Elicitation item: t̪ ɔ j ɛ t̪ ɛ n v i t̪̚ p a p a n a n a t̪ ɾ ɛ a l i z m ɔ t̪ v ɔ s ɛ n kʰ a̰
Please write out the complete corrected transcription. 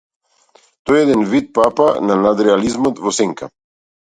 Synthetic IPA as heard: t̪ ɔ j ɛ d̪ ɛ n v i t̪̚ p a p a n a n a d̪ ɾ ɛ a l i z m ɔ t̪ v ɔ s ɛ ŋ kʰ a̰